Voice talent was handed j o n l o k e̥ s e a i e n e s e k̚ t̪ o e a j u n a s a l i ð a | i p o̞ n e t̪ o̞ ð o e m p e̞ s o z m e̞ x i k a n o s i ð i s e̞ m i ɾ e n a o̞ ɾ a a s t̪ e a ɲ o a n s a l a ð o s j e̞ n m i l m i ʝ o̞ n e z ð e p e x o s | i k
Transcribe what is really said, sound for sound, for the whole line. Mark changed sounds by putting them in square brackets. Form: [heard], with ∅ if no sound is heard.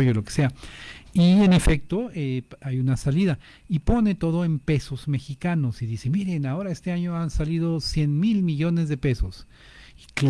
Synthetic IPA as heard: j o [∅] l o k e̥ s e a i e n e [f] e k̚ t̪ o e a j u n a s a l i ð a | i p o̞ n e t̪ o̞ ð o e m p e̞ s o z m e̞ x i k a n o s i ð i s e̞ m i ɾ e n a o̞ ɾ a [e] s t̪ e a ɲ o a n s a l [i] ð o s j e̞ n m i l m i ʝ o̞ n e z ð e p e [s] o s | i k